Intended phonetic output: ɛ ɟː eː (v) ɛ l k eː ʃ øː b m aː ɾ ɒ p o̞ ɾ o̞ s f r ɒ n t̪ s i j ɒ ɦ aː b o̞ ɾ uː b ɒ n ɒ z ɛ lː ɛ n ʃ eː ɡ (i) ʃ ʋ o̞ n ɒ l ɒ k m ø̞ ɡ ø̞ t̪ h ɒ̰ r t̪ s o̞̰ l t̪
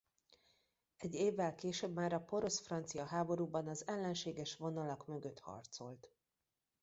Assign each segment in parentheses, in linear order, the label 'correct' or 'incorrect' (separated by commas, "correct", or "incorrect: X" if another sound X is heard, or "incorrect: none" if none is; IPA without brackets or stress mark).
incorrect: vː, incorrect: ɛ